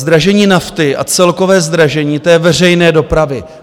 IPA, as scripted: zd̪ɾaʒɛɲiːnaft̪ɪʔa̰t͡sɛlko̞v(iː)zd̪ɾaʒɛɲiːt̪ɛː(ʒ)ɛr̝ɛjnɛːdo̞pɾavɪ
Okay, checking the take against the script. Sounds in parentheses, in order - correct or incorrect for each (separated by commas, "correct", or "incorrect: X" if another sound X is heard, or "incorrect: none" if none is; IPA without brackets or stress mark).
incorrect: ɛː, incorrect: v